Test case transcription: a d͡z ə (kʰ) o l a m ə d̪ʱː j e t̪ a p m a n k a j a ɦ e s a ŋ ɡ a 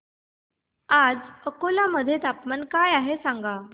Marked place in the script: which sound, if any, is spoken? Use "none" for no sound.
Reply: k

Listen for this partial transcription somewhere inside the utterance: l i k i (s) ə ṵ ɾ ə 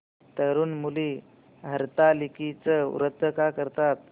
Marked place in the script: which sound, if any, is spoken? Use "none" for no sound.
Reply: t͡s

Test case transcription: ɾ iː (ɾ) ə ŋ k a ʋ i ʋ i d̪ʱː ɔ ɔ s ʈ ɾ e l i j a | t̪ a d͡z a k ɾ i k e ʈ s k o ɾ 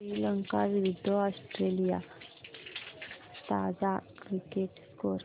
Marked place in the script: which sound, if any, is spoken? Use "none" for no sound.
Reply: l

